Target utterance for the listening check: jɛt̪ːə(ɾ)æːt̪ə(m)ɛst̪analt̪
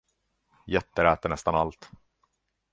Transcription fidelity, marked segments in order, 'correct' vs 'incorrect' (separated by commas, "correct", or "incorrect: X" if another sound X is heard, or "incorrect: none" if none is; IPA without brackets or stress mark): correct, incorrect: ɳ